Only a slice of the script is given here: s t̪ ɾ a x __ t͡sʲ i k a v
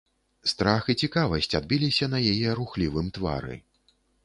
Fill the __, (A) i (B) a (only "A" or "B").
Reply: A